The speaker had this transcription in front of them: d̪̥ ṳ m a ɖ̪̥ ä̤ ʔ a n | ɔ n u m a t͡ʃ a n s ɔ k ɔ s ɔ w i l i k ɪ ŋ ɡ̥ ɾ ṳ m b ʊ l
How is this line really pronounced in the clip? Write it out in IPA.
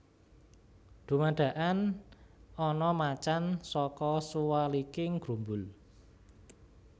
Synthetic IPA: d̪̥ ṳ m a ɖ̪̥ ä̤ ʔ a n | ɔ n ɔ m a t͡ʃ a n s ɔ k ɔ s u w a l i k ɪ ŋ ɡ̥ ɾ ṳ m b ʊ l